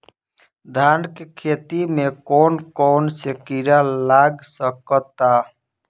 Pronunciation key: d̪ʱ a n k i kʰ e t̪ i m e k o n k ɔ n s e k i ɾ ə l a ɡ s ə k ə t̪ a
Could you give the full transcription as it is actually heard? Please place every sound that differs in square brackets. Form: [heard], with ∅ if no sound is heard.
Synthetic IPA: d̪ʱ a n k [e] kʰ e t̪ i m e k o n k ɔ n s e k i ɾ [a] l a ɡ s ə k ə t̪ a